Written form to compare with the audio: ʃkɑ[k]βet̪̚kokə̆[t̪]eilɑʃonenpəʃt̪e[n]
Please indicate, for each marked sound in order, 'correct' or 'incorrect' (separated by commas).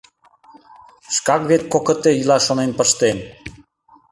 correct, correct, correct